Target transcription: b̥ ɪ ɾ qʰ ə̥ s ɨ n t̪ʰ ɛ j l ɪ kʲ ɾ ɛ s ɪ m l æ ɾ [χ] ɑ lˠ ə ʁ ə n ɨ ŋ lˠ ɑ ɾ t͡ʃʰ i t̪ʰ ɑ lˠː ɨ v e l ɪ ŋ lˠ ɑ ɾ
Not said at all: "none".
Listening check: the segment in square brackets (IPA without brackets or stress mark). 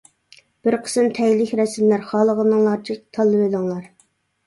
χ